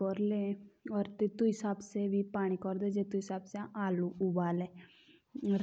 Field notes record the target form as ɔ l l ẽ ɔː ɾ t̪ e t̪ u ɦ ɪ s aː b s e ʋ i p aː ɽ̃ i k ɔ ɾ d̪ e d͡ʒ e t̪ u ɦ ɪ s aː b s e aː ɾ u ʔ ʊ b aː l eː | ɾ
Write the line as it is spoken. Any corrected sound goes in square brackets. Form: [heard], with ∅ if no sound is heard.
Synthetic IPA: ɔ [ɾ] l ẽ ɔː ɾ t̪ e t̪ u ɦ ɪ s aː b s e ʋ i p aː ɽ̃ i k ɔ ɾ d̪ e d͡ʒ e t̪ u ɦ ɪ s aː b s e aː [l] u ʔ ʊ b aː l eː | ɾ